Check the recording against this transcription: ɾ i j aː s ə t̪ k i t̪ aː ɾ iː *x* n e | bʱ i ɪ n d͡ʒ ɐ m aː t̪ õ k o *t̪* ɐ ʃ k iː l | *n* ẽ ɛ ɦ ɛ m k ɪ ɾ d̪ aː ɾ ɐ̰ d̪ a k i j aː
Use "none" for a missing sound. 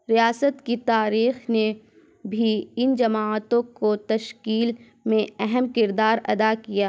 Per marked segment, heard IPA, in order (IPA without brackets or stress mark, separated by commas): x, t̪, m